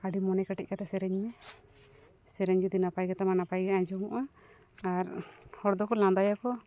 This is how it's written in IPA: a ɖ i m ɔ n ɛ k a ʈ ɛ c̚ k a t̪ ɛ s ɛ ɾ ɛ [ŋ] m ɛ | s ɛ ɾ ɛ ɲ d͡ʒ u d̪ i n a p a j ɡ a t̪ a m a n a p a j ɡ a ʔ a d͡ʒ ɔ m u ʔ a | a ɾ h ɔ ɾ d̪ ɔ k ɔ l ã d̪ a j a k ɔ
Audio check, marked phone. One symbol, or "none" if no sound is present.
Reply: ɲ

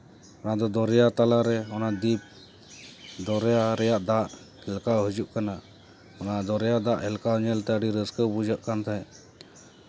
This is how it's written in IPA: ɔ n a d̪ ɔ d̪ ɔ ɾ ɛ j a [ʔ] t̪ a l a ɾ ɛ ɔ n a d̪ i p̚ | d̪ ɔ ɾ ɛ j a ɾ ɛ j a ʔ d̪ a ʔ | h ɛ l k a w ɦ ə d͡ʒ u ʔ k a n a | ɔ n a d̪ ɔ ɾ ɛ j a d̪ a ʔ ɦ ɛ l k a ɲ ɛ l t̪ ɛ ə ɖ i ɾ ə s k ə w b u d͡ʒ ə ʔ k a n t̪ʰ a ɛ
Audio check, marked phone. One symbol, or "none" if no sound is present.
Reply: none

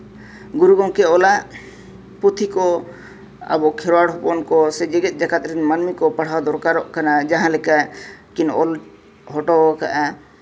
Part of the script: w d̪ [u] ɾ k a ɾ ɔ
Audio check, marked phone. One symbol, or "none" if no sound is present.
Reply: ɔ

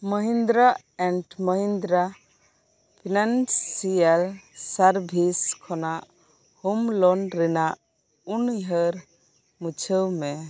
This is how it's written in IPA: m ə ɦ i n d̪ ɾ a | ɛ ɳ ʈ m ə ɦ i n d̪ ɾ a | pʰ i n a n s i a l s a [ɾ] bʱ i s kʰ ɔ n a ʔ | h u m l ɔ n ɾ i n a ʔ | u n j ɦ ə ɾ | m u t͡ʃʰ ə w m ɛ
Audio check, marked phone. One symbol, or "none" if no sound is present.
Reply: ɾ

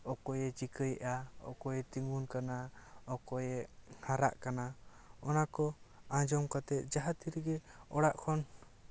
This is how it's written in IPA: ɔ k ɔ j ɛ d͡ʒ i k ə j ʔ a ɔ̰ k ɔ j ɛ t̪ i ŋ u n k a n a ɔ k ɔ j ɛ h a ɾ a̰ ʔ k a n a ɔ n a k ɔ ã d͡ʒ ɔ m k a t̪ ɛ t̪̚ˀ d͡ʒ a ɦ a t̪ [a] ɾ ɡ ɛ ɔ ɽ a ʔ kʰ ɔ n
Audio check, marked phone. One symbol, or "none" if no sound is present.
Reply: i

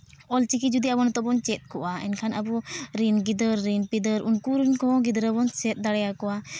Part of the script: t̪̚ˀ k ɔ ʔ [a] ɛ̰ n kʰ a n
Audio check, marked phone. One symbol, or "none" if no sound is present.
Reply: a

